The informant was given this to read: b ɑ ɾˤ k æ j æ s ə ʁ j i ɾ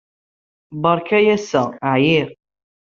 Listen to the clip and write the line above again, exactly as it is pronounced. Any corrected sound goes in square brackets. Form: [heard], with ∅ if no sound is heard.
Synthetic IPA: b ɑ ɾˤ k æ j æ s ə [ʕ] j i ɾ

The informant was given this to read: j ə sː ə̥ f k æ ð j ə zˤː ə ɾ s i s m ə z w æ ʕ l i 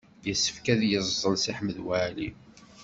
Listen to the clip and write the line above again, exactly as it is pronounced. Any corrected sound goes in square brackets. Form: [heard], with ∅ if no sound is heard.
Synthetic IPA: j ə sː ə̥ f k æ ð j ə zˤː ə [l] s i [ħ] m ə [ð] w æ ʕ l i

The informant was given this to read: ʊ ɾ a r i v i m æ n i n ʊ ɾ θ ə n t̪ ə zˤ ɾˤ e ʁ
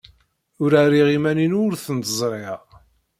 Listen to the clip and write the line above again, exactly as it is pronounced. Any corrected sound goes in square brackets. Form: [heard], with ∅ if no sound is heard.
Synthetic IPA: ʊ ɾ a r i [ʁ] i m æ n i n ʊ ɾ θ ə n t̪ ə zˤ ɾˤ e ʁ

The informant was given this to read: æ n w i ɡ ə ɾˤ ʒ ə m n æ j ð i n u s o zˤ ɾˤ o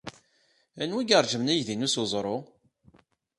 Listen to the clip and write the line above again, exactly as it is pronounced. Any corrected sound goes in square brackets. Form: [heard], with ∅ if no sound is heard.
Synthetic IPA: æ n w i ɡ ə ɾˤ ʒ ə m n æ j ð i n u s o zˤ ɾˤ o

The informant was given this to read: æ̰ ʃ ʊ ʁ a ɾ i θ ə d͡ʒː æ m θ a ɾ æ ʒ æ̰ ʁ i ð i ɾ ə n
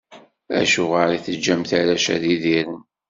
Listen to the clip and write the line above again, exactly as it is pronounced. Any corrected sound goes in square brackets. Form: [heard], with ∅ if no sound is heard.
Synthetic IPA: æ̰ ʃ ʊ ʁ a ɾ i θ ə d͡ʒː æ m θ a ɾ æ [ʃ] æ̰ [ð] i ð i ɾ ə n

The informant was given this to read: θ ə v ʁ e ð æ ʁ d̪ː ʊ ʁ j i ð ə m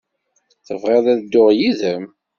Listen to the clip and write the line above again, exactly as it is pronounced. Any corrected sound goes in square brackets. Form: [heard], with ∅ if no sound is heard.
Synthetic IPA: θ ə v ʁ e ð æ [ð] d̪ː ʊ ʁ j i ð ə m

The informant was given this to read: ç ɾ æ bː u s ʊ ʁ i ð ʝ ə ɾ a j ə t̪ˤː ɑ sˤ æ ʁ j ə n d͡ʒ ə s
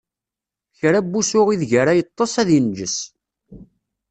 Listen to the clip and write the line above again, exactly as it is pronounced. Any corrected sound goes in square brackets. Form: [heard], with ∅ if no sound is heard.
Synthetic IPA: ç ɾ æ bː u s ʊ ʁ i ð ʝ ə ɾ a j ə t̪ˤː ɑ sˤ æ [ð] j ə n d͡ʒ ə s

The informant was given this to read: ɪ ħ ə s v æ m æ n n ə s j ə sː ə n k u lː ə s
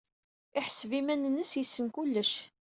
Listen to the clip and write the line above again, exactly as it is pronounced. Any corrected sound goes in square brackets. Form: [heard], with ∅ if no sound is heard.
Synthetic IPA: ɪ ħ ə s v [i] m æ n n ə s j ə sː ə n k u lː ə [ʃ]

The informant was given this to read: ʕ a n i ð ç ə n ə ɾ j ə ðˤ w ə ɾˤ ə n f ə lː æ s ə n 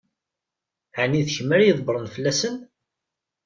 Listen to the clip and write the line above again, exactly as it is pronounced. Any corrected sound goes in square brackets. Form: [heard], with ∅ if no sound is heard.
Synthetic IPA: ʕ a n i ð ç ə [m] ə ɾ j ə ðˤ [b] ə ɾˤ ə n f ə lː æ s ə n

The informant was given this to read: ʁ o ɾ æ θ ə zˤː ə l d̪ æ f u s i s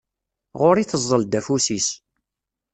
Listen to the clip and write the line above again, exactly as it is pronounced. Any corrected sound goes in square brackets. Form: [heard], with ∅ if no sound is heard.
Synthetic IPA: ʁ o ɾ [i] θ ə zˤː ə l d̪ æ f u s i s

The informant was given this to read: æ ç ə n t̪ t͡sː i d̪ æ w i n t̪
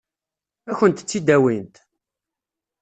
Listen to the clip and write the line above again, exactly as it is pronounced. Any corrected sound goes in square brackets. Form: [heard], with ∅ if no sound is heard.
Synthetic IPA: æ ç ə n t̪ t͡sː i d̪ æ w i n t̪

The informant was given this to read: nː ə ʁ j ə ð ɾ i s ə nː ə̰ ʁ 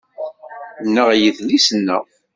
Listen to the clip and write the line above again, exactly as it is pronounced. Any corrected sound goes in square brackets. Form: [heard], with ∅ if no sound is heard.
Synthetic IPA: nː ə ʁ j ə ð [l] i s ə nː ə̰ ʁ

